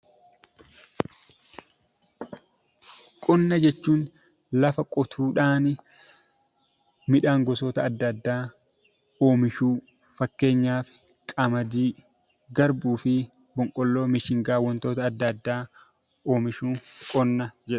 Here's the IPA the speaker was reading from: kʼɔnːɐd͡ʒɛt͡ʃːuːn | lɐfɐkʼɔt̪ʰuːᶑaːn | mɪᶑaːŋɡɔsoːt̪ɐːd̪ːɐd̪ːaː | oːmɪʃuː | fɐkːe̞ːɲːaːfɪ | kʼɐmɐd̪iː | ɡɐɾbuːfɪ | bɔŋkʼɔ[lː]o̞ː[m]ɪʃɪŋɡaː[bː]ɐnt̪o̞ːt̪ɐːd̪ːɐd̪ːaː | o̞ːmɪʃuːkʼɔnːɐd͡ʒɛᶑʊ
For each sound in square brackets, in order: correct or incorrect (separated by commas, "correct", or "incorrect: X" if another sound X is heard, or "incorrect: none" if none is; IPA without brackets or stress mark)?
correct, correct, incorrect: wː